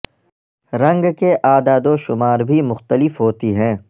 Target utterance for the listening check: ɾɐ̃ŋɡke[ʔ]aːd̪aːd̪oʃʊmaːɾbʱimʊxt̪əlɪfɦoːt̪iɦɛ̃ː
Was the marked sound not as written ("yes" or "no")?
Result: no